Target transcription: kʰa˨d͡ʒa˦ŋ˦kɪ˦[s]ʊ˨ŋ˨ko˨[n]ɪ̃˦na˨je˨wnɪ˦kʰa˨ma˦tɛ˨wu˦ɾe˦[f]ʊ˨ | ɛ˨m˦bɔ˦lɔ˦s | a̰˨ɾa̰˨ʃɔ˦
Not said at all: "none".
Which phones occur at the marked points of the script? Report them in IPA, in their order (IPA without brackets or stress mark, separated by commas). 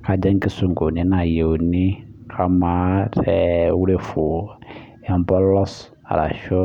s, n, f